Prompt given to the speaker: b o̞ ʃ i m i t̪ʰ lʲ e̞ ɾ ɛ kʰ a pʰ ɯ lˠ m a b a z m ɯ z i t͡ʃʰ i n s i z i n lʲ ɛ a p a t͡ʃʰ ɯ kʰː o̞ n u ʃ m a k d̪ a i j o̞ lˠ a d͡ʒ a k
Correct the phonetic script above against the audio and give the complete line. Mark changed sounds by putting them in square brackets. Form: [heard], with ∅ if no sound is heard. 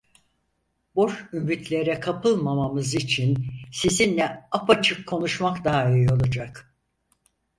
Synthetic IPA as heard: b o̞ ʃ [y] m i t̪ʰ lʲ e̞ ɾ ɛ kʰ a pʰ ɯ lˠ m a [m] a [∅] m ɯ z i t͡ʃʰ i n s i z i n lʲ ɛ a p a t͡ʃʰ ɯ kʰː o̞ n u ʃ m a k d̪ a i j o̞ lˠ a d͡ʒ a k